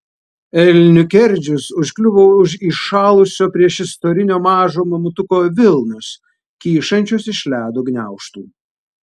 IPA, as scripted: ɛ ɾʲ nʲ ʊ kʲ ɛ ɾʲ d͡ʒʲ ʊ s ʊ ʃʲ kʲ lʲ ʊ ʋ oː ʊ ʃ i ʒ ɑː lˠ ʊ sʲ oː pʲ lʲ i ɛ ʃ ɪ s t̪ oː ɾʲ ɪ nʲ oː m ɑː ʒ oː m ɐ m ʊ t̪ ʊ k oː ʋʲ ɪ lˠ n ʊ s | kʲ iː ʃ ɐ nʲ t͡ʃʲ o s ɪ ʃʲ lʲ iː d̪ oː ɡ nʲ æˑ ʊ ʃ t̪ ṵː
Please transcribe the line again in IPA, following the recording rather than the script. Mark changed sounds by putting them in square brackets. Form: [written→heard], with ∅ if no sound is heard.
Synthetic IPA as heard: ɛ [ɾʲ→lʲ] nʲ ʊ kʲ ɛ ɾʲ d͡ʒʲ ʊ s ʊ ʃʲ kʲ lʲ ʊ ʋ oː ʊ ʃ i [ʒ→ʃ] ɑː lˠ ʊ sʲ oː pʲ [lʲ→ɾʲ] i ɛ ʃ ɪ s t̪ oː ɾʲ ɪ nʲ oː m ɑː ʒ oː m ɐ m ʊ t̪ ʊ k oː ʋʲ ɪ lˠ n ʊ s | kʲ iː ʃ ɐ nʲ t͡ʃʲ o s ɪ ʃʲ lʲ [iː→æː] d̪ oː ɡ nʲ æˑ ʊ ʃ t̪ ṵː